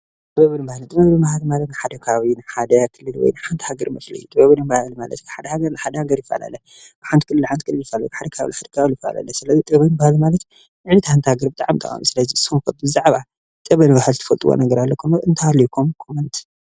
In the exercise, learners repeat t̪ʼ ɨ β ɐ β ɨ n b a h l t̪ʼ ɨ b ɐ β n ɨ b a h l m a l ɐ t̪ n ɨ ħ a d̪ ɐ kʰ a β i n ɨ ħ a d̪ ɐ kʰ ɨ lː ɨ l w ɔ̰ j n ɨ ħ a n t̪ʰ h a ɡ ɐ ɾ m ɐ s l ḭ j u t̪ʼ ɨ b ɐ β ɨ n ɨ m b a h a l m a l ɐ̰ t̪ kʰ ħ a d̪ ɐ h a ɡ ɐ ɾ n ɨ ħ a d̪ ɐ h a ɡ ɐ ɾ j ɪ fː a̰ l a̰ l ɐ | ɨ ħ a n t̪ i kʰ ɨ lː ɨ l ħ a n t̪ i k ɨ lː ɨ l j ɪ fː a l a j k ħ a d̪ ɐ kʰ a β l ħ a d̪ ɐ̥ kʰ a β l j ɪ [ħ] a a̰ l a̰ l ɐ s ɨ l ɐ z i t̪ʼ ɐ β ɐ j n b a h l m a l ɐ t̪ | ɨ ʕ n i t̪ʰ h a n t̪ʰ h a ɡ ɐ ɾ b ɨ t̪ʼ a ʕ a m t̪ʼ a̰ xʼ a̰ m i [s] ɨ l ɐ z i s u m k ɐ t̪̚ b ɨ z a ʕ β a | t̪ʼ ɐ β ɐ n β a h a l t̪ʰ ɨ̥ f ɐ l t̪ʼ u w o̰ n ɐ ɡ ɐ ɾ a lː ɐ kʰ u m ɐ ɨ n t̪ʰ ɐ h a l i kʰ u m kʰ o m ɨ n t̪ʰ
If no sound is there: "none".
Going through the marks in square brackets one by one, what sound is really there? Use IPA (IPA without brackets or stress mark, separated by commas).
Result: f, s